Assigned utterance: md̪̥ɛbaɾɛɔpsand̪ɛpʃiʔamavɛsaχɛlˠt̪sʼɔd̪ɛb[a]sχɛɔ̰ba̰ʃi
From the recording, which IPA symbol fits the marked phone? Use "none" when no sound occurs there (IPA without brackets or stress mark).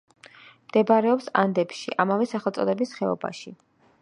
i